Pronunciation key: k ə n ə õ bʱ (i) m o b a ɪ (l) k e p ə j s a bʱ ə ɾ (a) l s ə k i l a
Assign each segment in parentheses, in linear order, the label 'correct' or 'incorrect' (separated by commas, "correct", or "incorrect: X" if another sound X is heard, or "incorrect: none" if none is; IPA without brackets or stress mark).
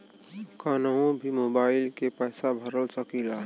correct, correct, incorrect: ə